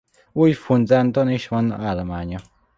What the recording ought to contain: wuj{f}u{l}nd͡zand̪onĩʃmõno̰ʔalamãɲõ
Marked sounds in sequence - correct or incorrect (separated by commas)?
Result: correct, incorrect